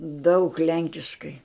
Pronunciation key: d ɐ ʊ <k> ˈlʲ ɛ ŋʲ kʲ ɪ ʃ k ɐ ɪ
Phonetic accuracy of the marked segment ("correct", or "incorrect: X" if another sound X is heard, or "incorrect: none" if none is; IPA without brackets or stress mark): correct